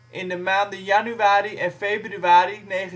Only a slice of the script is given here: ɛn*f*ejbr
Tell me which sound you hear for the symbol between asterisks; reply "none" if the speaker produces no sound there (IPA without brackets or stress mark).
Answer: f